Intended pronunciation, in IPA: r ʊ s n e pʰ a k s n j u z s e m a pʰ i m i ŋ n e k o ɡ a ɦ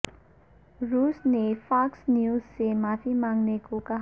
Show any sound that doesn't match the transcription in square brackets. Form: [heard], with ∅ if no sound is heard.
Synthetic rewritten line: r [u] s n e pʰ a k s n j u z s e m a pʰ i m [a] ŋ n e k o [k] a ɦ